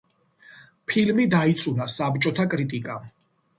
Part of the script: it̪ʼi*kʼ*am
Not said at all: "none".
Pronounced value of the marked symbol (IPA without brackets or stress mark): kʼ